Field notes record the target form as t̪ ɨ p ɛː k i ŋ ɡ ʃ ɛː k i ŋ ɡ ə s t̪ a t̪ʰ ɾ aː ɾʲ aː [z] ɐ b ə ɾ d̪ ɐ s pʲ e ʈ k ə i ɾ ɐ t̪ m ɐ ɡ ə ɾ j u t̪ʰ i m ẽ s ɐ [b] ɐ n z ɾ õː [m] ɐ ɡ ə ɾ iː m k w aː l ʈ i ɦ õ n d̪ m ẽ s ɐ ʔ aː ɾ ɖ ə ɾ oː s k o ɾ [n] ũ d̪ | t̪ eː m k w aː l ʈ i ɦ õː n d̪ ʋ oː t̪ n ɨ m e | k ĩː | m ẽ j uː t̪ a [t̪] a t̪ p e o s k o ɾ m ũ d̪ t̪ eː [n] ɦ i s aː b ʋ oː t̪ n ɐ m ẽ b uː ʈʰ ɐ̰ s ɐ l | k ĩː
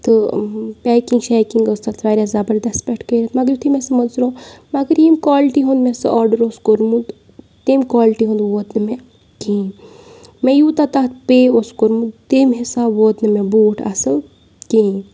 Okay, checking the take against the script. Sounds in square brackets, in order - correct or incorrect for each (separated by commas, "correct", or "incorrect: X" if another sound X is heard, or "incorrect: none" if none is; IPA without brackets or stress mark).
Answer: correct, incorrect: m, correct, incorrect: m, correct, incorrect: m